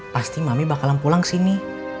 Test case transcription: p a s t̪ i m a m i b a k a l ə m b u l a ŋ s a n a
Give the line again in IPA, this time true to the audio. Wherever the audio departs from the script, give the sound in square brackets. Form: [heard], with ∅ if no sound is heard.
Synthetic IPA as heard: p a s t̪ i m a m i b a k a l [a] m [p] u l a ŋ s [i] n [i]